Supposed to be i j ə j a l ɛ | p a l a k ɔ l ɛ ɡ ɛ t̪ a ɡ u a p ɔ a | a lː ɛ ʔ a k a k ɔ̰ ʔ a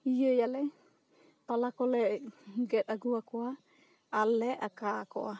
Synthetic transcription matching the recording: i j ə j a l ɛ | p a l a k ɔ l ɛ ɡ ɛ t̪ a ɡ u a k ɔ a | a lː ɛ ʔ a k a k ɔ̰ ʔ a

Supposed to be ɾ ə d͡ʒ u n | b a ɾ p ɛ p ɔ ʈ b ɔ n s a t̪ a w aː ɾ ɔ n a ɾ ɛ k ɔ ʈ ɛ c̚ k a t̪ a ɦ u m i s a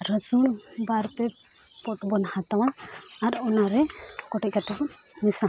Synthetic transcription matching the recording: ɾ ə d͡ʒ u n | b a ɾ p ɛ p ɔ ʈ b ɔ n h a t̪ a w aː ɾ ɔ n a ɾ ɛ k ɔ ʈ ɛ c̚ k a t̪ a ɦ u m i s a

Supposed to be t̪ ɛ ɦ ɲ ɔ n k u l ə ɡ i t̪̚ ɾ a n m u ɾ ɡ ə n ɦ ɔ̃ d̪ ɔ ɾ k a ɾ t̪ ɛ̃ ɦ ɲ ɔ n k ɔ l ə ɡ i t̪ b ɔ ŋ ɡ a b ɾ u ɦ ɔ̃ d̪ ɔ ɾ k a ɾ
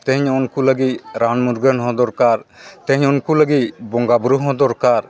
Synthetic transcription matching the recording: t̪ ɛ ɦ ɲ ɔ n k u l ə ɡ i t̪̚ ɾ a n m u ɾ ɡ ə n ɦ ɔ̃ d̪ ɔ ɾ k a ɾ t̪ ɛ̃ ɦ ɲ ɔ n k u l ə ɡ i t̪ b ɔ ŋ ɡ a b ɾ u ɦ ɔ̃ d̪ ɔ ɾ k a ɾ

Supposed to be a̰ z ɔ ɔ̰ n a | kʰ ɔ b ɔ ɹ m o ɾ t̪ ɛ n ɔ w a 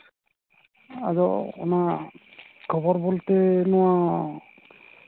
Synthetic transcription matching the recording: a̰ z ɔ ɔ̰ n a | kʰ ɔ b ɔ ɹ b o l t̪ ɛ n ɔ w a

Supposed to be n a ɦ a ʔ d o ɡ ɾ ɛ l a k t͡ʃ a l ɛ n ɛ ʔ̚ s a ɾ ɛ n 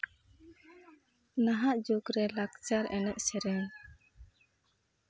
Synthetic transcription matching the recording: n a ɦ a ʔ d͡ʒ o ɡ ɾ ɛ l a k t͡ʃ a ɾ ɛ n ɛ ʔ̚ s ɛ ɾ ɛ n

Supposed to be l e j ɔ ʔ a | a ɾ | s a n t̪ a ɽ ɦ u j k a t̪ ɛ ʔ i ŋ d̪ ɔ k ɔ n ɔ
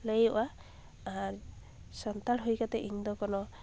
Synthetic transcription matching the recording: l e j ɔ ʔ a | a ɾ | s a n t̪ a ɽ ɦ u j k a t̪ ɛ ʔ i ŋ d̪ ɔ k ɔ n ɔ

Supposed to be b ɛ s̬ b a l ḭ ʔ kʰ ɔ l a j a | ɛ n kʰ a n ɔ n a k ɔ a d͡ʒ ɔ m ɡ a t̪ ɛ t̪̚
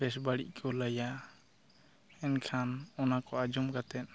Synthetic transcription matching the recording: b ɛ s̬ b a ɽ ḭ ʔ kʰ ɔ l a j a | ɛ n kʰ a n ɔ n a k ɔ a d͡ʒ ɔ m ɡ a t̪ ɛ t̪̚

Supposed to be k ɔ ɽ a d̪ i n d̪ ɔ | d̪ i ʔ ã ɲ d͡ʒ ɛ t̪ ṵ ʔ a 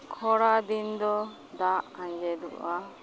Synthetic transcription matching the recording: kʰ ɔ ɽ a d̪ i n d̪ ɔ | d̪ a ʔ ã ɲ d͡ʒ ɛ d̪ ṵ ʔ a

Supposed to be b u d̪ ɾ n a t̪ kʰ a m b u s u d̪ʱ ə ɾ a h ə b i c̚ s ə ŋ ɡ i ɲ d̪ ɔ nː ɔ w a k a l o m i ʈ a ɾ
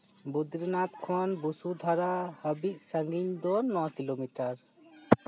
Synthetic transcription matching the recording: b u d̪ ɾ n a t̪ kʰ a n b u s u d̪ʱ a ɾ a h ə b i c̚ s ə ŋ ɡ i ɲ d̪ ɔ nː ɔ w a k i l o m i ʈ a ɾ

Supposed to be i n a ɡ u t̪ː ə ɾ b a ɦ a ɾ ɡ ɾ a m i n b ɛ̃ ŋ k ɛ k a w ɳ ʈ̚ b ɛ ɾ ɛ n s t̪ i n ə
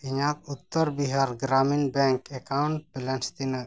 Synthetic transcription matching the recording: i ɲ a k u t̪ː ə ɾ b i ɦ a ɾ ɡ ɾ a m i n b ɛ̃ ŋ k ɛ k a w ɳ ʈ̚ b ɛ l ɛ n s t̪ i n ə

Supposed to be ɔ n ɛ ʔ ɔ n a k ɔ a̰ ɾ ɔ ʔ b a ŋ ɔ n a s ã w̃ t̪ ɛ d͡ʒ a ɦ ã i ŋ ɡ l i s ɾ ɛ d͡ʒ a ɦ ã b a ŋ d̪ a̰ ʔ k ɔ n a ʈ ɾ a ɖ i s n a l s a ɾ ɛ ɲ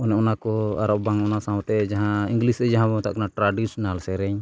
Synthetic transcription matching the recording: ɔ n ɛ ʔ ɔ n a k ɔ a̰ ɾ ɔ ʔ b a ŋ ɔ n a s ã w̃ t̪ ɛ d͡ʒ a ɦ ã i ŋ ɡ l i s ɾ ɛ d͡ʒ a ɦ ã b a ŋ t̪ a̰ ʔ k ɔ n a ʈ ɾ a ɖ i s n a l s ɛ ɾ ɛ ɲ

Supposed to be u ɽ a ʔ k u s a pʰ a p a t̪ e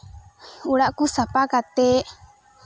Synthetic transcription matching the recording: u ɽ a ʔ k u s a p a k a t̪ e

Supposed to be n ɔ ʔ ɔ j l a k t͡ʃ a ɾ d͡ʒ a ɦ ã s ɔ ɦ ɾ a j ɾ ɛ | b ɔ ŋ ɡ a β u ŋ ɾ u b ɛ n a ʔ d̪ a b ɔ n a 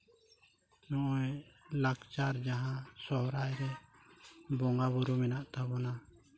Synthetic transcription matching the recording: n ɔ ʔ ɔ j l a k t͡ʃ a ɾ d͡ʒ a ɦ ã s ɔ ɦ ɾ a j ɾ ɛ | b ɔ ŋ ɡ a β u ɾ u m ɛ n a ʔ t̪ a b ɔ n a

